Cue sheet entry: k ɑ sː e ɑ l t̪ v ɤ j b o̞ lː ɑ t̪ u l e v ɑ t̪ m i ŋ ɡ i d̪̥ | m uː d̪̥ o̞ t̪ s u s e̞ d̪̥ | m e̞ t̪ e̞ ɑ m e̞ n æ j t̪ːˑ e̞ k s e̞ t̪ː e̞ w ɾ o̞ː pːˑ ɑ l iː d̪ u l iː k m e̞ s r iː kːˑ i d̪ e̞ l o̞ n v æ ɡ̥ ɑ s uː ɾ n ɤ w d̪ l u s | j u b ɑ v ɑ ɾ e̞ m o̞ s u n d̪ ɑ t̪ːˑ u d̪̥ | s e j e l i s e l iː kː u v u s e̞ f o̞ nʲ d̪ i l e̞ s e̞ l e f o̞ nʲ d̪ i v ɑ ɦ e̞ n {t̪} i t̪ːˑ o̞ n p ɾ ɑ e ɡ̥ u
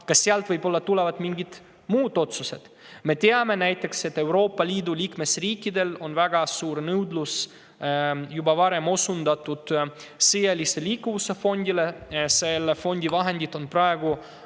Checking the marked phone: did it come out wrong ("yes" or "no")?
yes